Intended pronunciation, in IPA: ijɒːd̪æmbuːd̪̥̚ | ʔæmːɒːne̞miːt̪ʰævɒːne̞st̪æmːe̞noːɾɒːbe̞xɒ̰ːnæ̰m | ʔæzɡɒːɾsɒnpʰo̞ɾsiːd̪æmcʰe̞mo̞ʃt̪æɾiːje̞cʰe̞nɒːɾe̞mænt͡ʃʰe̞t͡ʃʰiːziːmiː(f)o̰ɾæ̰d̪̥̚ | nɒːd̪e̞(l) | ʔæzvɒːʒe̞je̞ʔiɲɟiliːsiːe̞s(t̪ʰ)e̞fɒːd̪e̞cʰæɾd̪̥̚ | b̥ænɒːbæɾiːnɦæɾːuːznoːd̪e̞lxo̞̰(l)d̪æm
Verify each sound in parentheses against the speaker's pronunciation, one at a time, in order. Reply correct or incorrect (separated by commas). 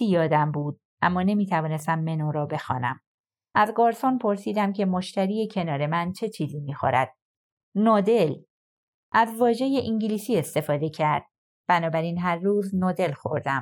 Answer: incorrect, correct, incorrect, incorrect